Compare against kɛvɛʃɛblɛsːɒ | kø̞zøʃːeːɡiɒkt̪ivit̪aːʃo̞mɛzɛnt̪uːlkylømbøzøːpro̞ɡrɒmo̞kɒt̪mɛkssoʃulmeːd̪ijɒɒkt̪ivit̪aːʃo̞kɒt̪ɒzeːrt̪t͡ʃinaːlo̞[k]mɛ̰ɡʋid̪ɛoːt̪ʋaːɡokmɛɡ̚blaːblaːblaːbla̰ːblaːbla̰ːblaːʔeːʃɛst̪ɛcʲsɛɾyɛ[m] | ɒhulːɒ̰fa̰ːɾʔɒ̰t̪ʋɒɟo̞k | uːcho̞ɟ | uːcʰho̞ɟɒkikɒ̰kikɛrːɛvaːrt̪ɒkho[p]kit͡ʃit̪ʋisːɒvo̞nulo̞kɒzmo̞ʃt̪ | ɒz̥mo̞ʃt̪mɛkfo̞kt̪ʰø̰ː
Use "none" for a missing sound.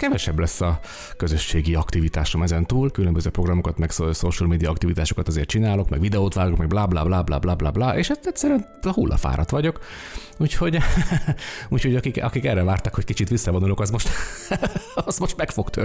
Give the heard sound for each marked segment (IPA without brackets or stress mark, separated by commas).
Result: k, n, c